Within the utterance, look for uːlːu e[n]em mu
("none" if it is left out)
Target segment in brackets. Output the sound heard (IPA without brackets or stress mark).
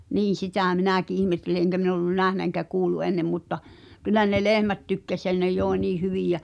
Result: nː